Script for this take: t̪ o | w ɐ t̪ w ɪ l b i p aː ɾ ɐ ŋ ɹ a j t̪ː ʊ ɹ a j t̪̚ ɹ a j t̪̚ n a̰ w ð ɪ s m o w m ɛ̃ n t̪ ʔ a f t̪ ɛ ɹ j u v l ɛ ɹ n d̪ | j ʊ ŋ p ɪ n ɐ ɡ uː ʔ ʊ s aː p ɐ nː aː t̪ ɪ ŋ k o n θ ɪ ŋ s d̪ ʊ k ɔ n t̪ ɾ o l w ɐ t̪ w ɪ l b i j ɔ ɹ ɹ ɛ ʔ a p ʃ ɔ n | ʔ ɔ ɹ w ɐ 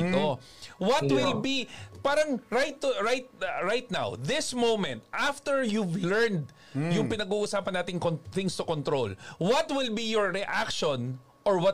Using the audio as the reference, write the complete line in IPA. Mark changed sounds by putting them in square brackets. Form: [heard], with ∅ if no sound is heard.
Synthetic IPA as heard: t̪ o | w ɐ t̪ w ɪ l b i p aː ɾ ɐ ŋ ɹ a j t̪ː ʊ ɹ a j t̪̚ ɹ a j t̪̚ n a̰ w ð ɪ s m o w m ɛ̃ n t̪ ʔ a f t̪ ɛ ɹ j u v l ɛ ɹ n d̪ | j ʊ ŋ p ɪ n ɐ ɡ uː ʔ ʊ s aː p ɐ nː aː t̪ ɪ ŋ k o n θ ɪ ŋ s [t̪] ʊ k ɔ n t̪ ɾ o l w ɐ t̪ w ɪ l b i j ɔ ɹ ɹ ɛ ʔ a [k] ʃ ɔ n | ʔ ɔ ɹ w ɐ